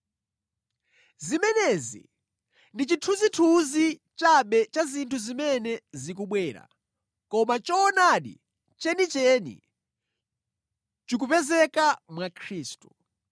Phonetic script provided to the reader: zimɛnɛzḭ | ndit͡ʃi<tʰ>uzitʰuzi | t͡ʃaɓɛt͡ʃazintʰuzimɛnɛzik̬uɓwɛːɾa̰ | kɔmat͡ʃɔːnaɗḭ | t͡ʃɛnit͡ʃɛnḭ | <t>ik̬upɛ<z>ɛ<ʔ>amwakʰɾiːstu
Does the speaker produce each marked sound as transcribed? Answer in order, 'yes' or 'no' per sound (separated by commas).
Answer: yes, no, yes, no